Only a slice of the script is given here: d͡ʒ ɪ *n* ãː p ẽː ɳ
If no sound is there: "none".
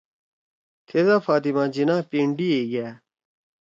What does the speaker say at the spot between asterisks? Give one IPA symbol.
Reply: n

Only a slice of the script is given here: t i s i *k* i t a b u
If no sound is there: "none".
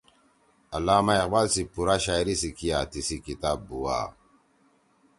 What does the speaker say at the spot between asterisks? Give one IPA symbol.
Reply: k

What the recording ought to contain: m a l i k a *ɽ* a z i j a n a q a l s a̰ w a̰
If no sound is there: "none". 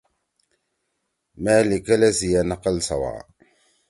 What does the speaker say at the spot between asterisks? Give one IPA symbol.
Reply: l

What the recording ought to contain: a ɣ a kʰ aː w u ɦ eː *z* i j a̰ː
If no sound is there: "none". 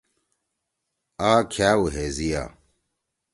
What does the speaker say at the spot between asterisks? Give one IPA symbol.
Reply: z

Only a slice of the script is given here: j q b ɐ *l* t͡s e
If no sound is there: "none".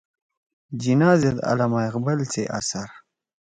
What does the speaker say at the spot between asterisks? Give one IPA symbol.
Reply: l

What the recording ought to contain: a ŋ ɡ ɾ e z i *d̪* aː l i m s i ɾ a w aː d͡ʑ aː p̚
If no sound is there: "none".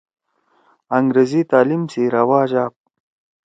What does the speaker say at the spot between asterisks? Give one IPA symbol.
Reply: t̪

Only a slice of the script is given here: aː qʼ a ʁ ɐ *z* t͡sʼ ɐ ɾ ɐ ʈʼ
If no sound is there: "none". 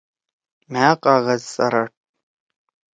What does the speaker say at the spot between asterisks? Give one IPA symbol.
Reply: z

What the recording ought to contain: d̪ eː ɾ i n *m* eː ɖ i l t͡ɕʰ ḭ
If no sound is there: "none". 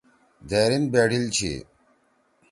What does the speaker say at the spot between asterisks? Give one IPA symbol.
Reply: b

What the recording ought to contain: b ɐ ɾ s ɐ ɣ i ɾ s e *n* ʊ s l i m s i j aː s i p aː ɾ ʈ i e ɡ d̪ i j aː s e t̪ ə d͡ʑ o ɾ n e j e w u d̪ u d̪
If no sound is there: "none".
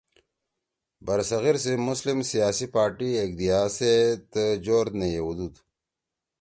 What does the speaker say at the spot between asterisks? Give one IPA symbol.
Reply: m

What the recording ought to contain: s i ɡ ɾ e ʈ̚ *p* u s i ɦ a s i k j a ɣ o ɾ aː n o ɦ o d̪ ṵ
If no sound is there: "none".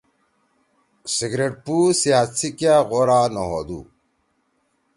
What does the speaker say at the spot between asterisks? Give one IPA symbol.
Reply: p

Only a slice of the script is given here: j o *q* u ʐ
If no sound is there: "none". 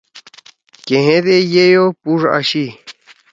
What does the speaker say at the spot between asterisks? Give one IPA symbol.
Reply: p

